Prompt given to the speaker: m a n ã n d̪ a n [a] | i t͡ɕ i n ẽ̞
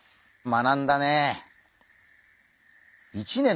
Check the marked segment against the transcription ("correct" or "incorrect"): incorrect